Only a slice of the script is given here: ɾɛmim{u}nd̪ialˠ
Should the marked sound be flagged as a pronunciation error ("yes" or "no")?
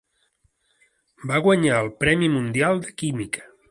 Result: no